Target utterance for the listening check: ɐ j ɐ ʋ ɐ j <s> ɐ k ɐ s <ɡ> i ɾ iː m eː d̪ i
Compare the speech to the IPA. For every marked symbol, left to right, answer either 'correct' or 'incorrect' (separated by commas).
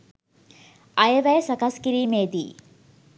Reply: correct, incorrect